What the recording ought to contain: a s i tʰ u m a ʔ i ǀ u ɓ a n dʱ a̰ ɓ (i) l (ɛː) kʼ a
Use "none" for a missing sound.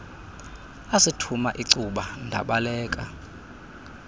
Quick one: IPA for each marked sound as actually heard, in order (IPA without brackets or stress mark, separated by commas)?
a, ɛː